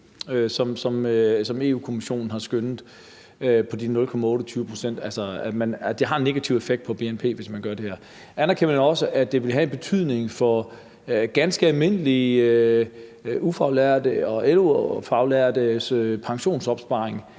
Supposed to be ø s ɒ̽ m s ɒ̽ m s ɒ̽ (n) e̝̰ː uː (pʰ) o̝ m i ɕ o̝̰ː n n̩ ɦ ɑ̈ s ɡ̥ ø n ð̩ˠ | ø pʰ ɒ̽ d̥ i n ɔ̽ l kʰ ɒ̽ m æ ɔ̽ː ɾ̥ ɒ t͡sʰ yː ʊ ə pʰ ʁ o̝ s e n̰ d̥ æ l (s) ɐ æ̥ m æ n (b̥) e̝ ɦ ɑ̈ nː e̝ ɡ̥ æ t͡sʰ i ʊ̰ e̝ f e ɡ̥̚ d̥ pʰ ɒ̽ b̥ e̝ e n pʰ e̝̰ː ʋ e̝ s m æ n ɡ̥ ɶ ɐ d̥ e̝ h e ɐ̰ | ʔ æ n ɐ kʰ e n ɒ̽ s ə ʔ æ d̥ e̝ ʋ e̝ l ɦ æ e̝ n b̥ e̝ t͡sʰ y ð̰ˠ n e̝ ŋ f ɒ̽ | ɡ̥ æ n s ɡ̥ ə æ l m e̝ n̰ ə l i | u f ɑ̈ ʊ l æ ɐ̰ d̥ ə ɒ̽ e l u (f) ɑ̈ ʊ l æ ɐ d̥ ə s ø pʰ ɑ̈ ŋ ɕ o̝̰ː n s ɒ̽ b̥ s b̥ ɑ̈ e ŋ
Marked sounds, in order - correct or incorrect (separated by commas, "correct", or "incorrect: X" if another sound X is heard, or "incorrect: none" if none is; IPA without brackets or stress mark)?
incorrect: m, incorrect: kʰ, correct, incorrect: d̥, correct